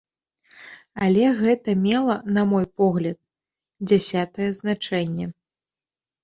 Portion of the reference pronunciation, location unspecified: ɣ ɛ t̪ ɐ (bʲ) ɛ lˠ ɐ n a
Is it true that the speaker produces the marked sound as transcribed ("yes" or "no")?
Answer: no